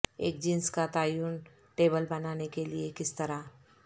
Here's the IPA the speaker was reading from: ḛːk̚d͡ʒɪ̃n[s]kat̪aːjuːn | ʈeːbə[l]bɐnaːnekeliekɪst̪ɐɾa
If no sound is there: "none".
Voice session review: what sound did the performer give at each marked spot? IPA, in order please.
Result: s, l

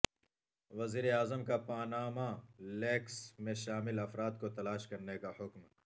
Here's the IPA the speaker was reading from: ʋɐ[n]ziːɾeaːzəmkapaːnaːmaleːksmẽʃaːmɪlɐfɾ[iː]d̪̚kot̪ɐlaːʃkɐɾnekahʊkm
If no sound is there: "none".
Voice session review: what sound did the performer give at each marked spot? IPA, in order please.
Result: none, aː

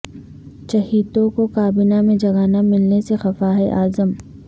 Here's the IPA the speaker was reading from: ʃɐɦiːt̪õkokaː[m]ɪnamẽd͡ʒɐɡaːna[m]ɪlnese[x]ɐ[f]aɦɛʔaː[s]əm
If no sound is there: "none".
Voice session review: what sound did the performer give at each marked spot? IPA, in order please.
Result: b, m, x, f, z

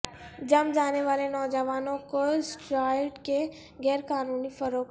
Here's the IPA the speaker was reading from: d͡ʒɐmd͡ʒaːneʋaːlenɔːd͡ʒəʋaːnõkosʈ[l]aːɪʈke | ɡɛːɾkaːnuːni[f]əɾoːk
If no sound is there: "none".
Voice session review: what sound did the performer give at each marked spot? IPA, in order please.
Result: ɾ, f

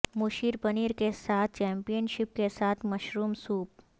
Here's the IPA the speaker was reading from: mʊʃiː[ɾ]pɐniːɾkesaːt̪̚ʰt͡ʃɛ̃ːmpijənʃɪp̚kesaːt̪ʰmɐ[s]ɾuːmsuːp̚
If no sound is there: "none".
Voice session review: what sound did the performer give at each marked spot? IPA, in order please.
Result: ɾ, ʃ

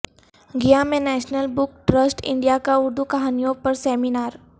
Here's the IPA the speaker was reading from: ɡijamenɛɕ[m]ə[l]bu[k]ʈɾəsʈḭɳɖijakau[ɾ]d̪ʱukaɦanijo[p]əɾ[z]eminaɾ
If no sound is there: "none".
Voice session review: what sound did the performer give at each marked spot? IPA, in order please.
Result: n, l, k, ɾ, p, s

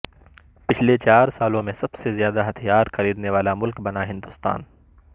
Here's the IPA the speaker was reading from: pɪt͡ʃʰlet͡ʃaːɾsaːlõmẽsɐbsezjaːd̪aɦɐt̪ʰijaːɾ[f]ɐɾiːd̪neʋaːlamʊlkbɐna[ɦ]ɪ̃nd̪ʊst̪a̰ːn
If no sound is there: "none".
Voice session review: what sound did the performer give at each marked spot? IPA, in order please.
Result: x, ɦ

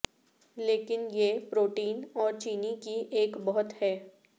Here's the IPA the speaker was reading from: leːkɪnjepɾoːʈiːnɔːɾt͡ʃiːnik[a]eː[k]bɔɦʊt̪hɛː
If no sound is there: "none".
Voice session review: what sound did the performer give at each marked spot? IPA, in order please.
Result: i, k

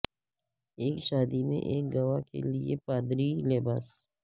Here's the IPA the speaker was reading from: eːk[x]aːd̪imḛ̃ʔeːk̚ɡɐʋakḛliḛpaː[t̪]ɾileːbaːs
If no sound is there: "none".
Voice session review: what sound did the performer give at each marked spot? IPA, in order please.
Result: ʃ, d̪

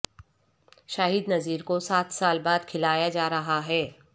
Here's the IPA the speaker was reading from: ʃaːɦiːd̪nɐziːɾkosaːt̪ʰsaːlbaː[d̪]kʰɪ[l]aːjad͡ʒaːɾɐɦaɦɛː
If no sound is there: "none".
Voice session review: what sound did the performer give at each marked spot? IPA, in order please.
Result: d̪, l

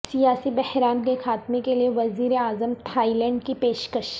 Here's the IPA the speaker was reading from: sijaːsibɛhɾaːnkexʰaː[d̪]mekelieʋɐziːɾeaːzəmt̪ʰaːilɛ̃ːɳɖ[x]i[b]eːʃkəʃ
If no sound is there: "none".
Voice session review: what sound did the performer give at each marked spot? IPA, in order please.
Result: t̪, k, p

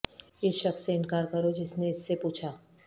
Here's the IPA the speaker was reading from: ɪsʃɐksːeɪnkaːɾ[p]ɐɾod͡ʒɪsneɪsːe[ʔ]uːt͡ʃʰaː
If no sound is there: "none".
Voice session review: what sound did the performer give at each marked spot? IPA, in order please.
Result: k, p

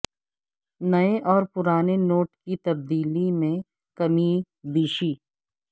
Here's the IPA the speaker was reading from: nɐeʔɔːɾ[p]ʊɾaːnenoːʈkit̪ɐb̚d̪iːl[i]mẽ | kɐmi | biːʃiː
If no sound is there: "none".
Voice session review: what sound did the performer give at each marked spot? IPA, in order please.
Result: p, i

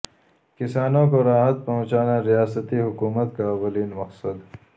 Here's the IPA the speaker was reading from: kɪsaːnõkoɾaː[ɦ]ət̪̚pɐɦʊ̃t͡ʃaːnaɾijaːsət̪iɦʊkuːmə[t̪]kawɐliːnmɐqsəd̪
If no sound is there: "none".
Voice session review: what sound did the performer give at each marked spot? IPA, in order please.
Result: ɦ, t̪

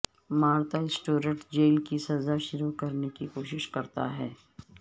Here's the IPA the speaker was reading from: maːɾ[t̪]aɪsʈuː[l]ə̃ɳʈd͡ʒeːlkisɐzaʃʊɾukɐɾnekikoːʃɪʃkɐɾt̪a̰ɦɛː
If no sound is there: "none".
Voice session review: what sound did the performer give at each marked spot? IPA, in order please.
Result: t̪, ɾ

